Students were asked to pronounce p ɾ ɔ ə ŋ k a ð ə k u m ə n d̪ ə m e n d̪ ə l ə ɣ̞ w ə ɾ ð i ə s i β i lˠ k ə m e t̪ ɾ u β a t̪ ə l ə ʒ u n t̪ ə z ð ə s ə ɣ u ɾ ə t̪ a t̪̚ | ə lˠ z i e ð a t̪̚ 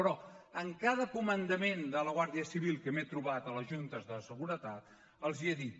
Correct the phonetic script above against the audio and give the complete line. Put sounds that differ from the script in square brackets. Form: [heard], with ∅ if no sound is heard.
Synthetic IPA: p ɾ ɔ ə ŋ k a ð ə k u m ə n d̪ ə m e n d̪ ə l ə ɣ̞ w [a] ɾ ð i ə s i β i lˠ k ə m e t̪ ɾ u β a t̪ ə l ə ʒ u n t̪ ə z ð ə s ə ɣ u ɾ ə t̪ a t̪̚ | ə lˠ z i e ð [i] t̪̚